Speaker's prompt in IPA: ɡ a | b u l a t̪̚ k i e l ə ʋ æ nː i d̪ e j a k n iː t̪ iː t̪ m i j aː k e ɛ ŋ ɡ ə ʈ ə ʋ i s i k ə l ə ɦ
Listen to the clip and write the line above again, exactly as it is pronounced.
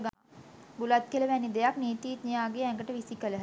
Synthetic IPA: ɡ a | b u l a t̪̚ k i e l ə ʋ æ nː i d̪ e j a k n iː t̪ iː t̪ n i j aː ɡ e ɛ ŋ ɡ ə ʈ ə ʋ i s i k ə l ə ɦ